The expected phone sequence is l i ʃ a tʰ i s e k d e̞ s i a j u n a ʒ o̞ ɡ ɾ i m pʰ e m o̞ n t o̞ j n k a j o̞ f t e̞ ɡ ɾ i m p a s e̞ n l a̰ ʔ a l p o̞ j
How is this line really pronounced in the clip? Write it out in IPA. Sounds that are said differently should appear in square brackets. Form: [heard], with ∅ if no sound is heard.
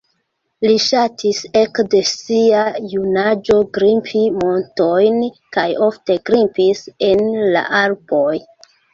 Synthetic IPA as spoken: l i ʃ a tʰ i s e k d e̞ s i a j u n a [d͡ʒ] o̞ ɡ ɾ i m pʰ [i] m o̞ n t o̞ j n k a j o̞ f t e̞ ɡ ɾ i m p [i] s e̞ n l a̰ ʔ a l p o̞ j